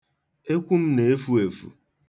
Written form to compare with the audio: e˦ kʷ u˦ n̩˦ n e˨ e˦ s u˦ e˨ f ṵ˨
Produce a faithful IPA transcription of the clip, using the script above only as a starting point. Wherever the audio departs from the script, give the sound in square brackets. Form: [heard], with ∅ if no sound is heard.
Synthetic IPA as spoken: e˦ kʷ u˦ [m̩˦] n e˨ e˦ [f] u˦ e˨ f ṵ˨

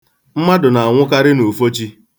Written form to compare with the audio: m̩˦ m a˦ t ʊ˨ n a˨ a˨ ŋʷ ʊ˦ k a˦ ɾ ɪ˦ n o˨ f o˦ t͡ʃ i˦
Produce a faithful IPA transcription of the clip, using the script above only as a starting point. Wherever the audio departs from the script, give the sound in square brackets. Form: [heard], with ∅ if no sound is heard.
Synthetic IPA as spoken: m̩˦ m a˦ [d] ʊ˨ n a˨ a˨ ŋʷ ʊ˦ k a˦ ɾ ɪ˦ n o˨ f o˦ t͡ʃ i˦

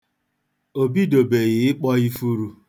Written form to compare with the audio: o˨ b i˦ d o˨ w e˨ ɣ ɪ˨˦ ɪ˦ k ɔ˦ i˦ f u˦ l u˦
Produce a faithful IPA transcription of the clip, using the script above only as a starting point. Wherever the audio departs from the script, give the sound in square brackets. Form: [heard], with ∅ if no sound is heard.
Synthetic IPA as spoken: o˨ b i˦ d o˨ [b] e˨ ɣ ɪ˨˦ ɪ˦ [k͡p] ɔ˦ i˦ f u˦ [ɾ] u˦

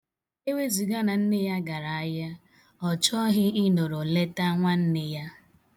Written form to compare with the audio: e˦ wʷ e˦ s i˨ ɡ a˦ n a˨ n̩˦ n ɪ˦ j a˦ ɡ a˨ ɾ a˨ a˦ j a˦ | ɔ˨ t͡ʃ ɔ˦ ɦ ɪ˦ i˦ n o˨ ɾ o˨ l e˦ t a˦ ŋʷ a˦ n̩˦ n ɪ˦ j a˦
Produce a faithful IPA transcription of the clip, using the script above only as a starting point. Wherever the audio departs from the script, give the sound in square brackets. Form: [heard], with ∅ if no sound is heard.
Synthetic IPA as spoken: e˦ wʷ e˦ [z] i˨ ɡ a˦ n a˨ n̩˦ n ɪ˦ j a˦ ɡ a˨ ɾ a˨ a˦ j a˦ | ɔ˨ t͡ʃ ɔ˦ ɦ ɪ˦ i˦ n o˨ ɾ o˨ l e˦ t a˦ ŋʷ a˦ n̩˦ n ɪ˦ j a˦

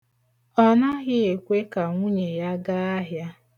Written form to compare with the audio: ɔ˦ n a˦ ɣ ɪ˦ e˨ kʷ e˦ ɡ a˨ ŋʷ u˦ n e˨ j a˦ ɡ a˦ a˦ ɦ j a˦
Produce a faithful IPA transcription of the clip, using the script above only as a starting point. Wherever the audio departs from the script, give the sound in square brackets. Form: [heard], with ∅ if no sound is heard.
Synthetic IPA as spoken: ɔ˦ n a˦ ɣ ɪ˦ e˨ kʷ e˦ [k] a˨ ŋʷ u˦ [ɲ] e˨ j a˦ ɡ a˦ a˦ ɦ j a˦

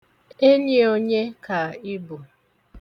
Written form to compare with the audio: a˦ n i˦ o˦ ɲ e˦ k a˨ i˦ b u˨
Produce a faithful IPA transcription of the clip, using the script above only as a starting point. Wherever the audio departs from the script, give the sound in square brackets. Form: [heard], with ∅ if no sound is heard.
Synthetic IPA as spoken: [e˦] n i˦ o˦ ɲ e˦ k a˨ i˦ b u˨

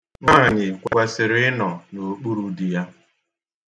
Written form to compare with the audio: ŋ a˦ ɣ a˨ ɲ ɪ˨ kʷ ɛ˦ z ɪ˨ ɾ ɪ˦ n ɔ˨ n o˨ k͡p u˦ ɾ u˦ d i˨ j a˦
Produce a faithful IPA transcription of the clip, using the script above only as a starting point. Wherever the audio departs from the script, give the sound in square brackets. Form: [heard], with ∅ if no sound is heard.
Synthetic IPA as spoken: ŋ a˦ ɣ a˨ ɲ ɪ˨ kʷ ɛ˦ [s] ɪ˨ ɾ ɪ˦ n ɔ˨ n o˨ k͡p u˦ ɾ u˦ d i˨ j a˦

